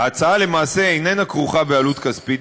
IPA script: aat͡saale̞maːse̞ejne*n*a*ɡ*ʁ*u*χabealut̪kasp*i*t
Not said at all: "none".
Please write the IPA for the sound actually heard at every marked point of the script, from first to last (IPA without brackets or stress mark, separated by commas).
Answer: n, k, u, i